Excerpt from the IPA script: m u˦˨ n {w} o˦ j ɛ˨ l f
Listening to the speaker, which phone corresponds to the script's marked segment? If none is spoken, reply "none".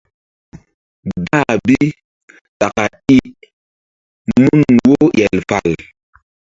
w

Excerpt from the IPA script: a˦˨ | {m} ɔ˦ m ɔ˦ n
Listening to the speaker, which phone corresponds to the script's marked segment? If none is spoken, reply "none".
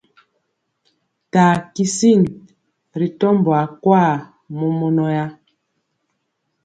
m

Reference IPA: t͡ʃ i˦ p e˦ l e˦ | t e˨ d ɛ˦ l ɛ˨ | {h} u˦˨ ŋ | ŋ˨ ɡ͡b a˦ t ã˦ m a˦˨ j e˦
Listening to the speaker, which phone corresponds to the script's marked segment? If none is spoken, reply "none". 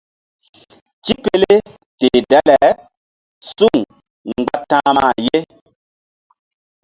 s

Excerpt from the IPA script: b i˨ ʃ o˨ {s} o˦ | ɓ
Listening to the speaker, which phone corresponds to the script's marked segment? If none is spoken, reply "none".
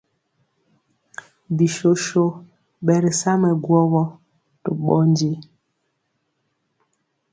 ʃ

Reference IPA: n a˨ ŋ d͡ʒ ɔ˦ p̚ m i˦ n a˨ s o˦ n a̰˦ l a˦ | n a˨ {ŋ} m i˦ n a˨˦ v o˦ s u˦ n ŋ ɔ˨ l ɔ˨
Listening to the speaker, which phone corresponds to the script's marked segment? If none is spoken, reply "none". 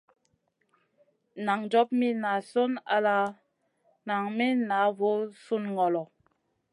ŋ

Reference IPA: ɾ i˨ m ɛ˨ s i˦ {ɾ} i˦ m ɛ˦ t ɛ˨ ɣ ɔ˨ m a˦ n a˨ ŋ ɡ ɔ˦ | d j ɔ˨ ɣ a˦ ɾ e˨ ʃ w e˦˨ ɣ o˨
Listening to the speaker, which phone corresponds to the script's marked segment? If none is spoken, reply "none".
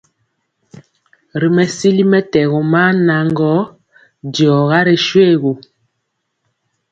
l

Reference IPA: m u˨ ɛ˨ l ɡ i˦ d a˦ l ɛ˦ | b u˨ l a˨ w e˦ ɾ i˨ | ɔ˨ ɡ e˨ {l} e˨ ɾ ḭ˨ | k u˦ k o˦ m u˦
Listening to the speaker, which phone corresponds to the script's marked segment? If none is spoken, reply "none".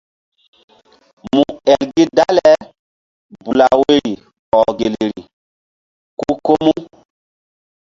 l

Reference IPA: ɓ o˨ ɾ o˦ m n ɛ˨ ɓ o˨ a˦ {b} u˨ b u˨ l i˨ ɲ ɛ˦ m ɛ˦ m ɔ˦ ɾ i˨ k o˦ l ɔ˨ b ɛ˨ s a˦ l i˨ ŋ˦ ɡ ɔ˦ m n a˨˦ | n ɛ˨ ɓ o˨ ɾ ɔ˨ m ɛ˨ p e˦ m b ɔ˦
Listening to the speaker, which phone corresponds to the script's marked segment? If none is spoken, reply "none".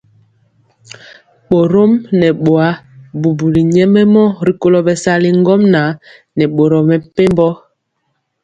b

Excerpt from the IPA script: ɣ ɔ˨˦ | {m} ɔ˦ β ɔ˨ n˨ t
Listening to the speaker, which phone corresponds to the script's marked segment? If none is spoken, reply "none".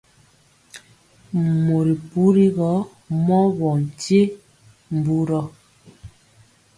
m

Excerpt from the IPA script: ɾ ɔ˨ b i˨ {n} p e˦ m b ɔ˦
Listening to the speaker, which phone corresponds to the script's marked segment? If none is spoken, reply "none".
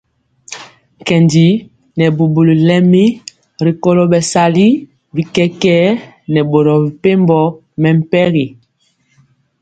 none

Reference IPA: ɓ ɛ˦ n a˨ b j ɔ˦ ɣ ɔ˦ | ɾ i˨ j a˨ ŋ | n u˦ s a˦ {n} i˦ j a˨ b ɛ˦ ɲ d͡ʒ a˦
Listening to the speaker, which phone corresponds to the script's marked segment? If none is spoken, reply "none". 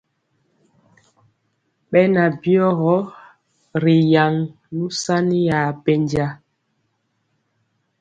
n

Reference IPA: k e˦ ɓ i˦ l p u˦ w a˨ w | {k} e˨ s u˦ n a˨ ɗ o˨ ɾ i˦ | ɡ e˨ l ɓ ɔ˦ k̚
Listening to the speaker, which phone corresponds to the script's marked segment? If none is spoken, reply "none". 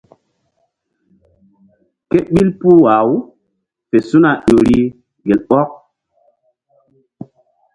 p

